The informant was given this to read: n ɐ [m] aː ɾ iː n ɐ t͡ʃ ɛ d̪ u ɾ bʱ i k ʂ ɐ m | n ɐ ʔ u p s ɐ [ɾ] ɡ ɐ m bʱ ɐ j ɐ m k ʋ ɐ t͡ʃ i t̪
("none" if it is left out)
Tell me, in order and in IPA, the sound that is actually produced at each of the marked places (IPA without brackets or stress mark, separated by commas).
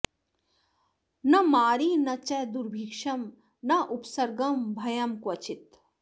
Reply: m, ɾ